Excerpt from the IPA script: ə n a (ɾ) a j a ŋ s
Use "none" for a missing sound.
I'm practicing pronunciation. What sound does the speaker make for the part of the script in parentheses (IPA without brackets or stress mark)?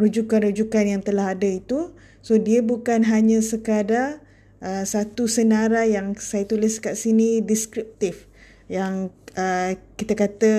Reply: ɾ